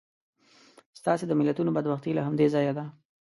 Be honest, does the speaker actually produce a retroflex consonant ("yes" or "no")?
no